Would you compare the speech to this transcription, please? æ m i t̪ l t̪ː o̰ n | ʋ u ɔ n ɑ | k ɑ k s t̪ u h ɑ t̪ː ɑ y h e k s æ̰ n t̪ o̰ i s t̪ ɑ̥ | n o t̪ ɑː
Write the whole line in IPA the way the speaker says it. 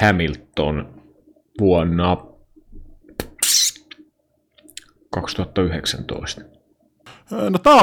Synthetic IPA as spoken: æ m i l t̪ː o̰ n | ʋ u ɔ nː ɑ | k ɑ k s t̪ u h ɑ t̪ː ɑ y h e k s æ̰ n t̪ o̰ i s t̪ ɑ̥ | n o t̪ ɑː